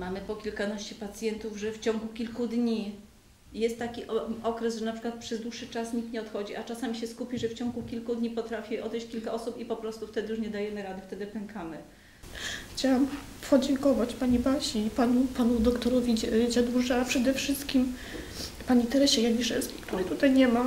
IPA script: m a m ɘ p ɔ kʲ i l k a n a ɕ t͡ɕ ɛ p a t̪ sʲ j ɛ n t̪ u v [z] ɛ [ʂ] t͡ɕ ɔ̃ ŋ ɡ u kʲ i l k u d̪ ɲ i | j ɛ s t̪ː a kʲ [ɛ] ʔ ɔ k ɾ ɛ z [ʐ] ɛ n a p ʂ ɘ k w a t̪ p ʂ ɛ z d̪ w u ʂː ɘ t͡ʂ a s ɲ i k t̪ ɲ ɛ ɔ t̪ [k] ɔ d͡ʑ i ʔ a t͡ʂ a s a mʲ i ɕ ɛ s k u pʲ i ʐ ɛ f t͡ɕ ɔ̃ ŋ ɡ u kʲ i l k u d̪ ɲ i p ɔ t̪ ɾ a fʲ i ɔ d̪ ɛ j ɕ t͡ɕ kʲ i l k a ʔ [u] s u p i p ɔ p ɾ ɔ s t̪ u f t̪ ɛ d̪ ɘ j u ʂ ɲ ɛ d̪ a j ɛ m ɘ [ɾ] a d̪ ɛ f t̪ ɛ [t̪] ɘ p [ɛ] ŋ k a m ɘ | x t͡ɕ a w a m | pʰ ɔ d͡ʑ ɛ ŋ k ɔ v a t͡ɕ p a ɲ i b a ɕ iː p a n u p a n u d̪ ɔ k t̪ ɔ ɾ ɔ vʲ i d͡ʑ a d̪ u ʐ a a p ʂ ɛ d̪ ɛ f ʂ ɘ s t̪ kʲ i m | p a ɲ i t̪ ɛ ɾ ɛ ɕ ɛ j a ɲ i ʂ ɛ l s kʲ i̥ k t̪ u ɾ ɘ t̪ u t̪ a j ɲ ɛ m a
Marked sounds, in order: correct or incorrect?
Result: incorrect, incorrect, incorrect, correct, incorrect, incorrect, correct, incorrect, correct

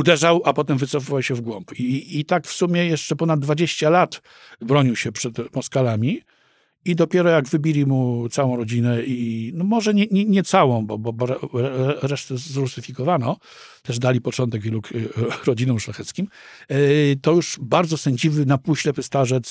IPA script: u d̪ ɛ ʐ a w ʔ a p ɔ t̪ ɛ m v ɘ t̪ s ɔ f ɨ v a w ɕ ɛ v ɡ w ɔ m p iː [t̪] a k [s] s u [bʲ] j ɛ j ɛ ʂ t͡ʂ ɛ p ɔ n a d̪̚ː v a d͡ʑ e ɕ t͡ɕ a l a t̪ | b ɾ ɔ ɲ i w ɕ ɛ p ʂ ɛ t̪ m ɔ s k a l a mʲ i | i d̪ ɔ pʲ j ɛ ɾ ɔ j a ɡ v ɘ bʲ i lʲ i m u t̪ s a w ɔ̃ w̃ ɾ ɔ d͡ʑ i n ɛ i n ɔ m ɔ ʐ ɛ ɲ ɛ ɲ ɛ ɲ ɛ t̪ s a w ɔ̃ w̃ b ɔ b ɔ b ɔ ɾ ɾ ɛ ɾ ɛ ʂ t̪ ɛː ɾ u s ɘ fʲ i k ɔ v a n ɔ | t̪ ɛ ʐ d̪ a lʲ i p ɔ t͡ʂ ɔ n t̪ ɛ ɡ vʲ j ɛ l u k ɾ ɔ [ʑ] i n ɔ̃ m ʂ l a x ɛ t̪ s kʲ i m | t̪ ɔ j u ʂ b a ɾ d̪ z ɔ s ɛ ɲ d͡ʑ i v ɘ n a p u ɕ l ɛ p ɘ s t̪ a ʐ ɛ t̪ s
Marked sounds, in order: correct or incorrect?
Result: correct, incorrect, incorrect, incorrect

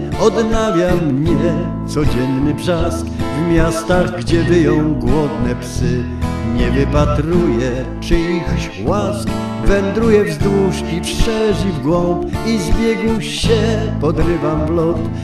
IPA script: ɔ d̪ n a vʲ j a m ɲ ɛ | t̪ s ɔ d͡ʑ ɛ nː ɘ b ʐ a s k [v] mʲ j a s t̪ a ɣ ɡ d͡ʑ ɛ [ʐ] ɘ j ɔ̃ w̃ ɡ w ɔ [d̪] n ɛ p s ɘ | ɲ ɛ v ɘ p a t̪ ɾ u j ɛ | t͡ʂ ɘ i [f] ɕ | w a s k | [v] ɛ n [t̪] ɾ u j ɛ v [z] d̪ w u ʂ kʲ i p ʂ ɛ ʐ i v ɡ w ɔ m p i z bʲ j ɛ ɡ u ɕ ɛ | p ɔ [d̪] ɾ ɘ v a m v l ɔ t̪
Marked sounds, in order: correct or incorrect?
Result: correct, incorrect, correct, incorrect, correct, incorrect, correct, correct

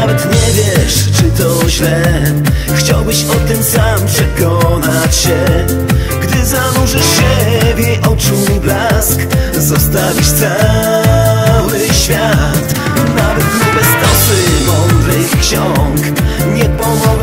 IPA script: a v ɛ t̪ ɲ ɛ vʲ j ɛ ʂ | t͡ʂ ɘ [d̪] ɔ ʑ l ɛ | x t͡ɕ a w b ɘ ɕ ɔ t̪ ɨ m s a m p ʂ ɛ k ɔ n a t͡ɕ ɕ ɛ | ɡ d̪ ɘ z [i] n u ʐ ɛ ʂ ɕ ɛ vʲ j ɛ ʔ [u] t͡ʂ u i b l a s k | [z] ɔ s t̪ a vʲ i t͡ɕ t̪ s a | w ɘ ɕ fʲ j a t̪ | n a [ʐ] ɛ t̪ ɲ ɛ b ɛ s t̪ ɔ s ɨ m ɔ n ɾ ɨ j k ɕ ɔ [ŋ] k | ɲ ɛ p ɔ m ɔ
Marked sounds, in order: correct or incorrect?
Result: incorrect, incorrect, incorrect, correct, incorrect, correct

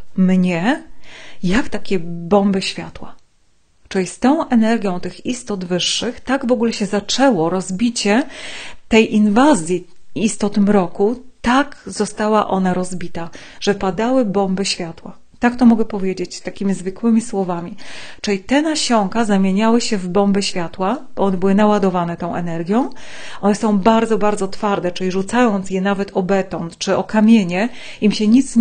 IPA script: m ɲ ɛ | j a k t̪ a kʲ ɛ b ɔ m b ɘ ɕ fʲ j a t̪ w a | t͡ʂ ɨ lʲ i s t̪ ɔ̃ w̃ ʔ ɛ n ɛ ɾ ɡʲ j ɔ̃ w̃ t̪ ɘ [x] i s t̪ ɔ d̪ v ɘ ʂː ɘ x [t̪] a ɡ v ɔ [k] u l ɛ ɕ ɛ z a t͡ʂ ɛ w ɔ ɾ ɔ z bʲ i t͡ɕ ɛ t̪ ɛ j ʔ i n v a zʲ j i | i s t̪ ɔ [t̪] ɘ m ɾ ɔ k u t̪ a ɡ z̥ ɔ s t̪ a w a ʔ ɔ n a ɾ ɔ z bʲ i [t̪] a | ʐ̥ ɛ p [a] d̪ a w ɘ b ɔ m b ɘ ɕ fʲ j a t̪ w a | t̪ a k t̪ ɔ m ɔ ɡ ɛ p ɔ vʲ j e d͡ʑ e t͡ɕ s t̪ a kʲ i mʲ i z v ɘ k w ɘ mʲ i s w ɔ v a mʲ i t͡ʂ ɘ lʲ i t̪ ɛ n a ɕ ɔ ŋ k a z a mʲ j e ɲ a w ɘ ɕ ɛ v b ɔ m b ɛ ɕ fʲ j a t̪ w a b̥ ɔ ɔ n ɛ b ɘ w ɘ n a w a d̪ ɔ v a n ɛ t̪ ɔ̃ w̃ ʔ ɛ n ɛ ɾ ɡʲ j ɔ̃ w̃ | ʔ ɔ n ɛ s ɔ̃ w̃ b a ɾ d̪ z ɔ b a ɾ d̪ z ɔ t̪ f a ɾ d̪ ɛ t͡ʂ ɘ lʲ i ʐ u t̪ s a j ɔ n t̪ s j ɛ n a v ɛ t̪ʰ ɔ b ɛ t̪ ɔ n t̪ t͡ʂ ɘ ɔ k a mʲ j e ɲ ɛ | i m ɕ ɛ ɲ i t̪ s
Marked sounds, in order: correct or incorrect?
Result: correct, correct, incorrect, correct, correct, correct

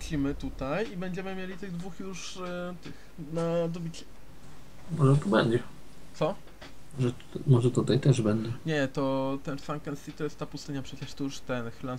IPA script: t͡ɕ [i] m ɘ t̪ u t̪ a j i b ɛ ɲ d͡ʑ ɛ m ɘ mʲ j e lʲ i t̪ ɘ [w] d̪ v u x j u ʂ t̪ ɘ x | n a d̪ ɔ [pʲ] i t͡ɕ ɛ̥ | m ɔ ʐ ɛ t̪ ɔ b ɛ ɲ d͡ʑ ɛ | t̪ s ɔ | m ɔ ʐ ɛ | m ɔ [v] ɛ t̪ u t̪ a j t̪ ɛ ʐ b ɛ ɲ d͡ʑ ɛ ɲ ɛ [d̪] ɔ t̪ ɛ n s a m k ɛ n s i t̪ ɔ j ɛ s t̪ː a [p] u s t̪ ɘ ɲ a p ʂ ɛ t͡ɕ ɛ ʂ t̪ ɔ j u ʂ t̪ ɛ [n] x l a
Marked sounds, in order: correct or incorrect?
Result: correct, incorrect, incorrect, incorrect, incorrect, correct, correct

